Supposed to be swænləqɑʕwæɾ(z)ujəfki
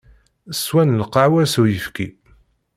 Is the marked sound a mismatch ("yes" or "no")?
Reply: yes